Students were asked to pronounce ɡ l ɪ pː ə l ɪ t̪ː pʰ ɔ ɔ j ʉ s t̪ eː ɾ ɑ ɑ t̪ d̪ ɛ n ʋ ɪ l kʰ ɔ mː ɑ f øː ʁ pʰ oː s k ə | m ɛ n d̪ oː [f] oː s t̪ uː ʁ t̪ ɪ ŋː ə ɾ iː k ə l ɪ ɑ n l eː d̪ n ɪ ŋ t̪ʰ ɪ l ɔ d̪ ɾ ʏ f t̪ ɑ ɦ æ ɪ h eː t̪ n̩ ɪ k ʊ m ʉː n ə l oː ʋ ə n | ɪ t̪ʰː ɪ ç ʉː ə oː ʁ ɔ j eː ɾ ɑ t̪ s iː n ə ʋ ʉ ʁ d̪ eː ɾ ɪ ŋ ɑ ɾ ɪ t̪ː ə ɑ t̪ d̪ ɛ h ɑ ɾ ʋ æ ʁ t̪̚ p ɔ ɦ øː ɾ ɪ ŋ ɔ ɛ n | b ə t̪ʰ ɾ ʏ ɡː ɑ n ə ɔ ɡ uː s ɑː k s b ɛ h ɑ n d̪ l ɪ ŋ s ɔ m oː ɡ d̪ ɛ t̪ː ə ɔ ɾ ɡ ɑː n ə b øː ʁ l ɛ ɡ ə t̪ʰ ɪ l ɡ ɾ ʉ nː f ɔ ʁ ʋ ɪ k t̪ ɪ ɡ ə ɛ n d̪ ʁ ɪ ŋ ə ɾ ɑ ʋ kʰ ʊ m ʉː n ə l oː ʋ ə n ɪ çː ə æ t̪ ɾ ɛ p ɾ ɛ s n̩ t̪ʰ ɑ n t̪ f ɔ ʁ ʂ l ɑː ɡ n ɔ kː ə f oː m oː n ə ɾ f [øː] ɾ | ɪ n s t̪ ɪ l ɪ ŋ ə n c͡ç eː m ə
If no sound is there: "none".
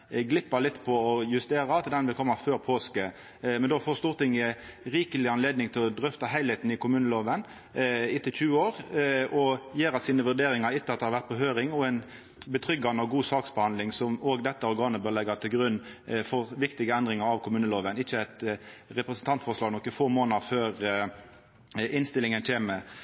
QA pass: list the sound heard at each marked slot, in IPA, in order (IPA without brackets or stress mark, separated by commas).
f, øː